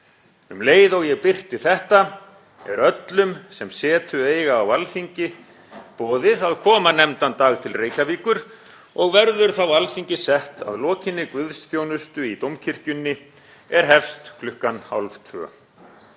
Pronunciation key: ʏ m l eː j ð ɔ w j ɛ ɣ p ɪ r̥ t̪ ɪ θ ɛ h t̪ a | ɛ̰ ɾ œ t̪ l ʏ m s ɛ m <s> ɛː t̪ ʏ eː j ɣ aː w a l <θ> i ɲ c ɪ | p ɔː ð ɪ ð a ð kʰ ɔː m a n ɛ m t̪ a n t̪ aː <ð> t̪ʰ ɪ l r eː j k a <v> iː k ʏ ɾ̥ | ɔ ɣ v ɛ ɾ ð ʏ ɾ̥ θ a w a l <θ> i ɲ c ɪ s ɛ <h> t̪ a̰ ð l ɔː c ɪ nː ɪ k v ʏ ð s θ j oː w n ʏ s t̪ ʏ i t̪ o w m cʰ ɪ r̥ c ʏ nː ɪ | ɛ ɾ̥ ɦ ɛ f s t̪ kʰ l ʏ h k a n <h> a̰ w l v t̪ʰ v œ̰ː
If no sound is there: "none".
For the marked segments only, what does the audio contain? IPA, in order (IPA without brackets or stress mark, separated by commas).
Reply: s, f, ɣ, v, f, h, h